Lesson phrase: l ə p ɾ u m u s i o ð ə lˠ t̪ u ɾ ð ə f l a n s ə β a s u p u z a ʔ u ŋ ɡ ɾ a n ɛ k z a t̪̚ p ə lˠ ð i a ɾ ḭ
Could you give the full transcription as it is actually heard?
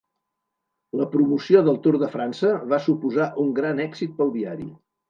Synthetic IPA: l ə p ɾ u m u s i o ð ə lˠ t̪ u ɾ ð ə f ɾ a n s ə β a s u p u z a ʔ u ŋ ɡ ɾ a n ɛ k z i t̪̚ p ə lˠ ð i a ɾ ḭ

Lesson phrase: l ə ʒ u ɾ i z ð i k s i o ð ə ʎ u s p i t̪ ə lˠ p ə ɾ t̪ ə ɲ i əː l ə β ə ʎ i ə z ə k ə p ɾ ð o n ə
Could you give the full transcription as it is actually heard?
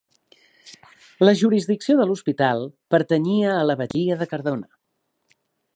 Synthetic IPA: l ə ʒ u ɾ i z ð i k s i o ð ə l u s p i t̪ a lˠ p ə ɾ t̪ ə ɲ i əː l ə β ə ʎ i ə ð ə k ə ɾ ð o n ə

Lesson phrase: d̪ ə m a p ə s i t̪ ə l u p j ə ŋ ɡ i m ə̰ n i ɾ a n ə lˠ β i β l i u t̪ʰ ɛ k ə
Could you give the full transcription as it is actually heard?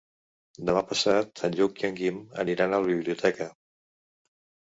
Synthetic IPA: d̪ ə m a p ə s a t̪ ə ʎ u k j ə ŋ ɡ i m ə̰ n i ɾ a n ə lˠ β i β l i u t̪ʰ ɛ k ə

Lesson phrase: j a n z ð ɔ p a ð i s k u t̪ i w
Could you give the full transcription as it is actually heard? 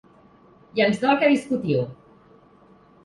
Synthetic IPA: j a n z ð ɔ k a ð i s k u t̪ i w

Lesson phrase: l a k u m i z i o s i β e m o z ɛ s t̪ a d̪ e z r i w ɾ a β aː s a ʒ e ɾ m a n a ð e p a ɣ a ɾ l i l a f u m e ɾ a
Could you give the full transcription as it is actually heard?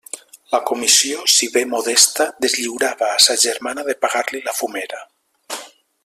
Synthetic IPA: l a k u m i s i o s i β e m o ð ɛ s t̪ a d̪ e z ʎ i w ɾ a β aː s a ʒ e ɾ m a n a ð e p a ɣ a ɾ l i l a f u m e ɾ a

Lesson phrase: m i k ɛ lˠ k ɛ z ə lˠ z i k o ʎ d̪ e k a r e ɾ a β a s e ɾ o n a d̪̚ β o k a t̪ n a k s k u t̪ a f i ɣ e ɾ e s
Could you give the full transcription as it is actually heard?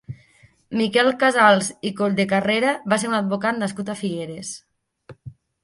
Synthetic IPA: m i k ɛ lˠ k a z a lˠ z i k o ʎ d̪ e k a r e ɾ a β a s e ɾ u n a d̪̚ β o k a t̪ n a s k u t̪ a f i ɣ e ɾ e s

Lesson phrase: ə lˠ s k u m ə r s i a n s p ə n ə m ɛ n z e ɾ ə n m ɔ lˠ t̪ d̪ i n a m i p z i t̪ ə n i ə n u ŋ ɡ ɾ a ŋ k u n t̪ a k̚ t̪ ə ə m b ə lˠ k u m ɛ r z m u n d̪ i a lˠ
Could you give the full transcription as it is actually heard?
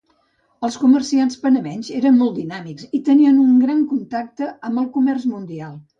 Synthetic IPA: ə lˠ s k u m ə r s i a n s p ə n ə m ɛ n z e ɾ ə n m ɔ lˠ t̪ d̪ i n a m i k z i t̪ ə n i ə n u ŋ ɡ ɾ a ŋ k u n t̪ a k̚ t̪ ə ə m b ə lˠ k u m ɛ r z m u n d̪ i a lˠ

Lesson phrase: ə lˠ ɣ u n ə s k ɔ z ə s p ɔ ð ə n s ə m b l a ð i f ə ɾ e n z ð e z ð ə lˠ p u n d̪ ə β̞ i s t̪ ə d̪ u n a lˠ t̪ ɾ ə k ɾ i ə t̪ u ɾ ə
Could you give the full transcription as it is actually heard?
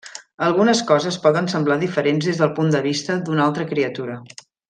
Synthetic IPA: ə lˠ ɣ u n ə s k ɔ z ə s p ɔ ð ə n s ə m b l a ð i f ə ɾ e n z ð e z ð ə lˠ p u n d̪ ə β̞ i s t̪ ə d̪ u n a lˠ t̪ ɾ ə k ɾ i ə t̪ u ɾ ə

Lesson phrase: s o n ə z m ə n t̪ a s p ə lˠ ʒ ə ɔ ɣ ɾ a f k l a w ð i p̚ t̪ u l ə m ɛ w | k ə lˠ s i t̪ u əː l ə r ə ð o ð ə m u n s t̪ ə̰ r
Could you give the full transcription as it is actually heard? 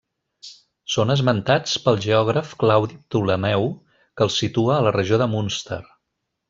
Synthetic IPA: s o n ə z m ə n t̪ a t͡s p ə lˠ ʒ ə ɔ ɣ ɾ ə f k l a w ð i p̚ t̪ u l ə m ɛ w | k ə lˠ s i t̪ u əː l ə r ə ʒ o ð ə m u n s t̪ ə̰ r

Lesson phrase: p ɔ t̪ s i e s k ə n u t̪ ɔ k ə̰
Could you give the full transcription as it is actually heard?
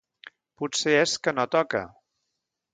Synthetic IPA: p u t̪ s e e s k ə n o t̪ ɔ k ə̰

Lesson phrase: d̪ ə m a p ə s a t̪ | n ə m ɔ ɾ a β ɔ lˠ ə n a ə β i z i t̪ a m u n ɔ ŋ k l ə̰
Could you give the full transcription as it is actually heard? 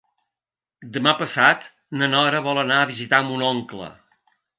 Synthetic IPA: d̪ ə m a p ə s a t̪ | n ə n ɔ ɾ ə β ɔ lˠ ə n a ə β i z i t̪ a m u n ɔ ŋ k l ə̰

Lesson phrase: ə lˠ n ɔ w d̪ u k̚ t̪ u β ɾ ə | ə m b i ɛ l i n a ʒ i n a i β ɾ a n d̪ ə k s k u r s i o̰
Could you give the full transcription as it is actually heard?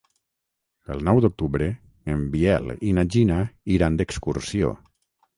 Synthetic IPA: ə lˠ n ɔ w d̪ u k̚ t̪ u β ɾ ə | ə m b i ɛ l i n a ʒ i n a i ɾ a n d̪ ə k s k u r s i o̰

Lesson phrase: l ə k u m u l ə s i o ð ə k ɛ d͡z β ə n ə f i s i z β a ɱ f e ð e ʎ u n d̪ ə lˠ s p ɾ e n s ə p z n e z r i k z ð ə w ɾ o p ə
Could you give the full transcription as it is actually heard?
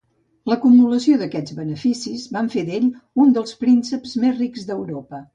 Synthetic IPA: l ə k u m u l ə s i o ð ə k ɛ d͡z β ə n ə f i s i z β a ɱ f e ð e ʎ u n d̪ ə lˠ s p ɾ i n s ə p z m e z r i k z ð ə w ɾ o p ə

